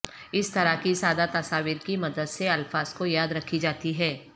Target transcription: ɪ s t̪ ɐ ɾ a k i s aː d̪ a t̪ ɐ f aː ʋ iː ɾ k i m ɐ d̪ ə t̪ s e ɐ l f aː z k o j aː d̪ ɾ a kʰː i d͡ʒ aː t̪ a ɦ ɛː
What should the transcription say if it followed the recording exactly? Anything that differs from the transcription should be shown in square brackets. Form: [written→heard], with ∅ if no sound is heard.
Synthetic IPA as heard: ɪ s t̪ ɐ ɾ a k i s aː d̪ a t̪ ɐ [f→s] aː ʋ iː ɾ k i m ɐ d̪ ə [t̪→d̪] s e ɐ l f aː z k o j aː d̪ ɾ [a→ɐ] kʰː i d͡ʒ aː t̪ [a→i] ɦ ɛː